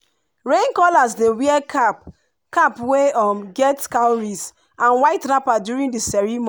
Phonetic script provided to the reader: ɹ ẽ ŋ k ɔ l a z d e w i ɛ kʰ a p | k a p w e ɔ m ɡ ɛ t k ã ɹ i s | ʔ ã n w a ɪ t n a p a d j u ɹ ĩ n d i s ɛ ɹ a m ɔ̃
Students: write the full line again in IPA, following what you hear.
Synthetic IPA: ɹ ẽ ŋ k ɔ l a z d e w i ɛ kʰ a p | k a p w e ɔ m ɡ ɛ t k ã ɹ i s | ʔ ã n w a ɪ t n a p a d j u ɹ ĩ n d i s ɛ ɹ i m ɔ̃